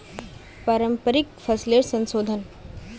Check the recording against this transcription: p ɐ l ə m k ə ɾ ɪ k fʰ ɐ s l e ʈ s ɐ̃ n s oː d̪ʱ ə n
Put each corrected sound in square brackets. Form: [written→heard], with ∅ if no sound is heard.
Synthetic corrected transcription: p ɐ [l→ɾ] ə m [k→p] ə ɾ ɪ k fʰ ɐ s l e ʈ s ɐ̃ n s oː d̪ʱ ə n